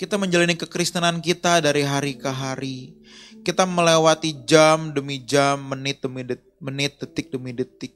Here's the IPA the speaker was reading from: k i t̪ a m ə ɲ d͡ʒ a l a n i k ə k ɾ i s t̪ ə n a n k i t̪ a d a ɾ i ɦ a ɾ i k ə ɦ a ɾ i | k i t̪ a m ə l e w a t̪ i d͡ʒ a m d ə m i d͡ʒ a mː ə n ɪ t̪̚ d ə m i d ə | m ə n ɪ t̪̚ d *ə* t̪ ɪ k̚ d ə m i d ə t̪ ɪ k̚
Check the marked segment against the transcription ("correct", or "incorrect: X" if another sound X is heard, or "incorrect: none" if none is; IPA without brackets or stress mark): correct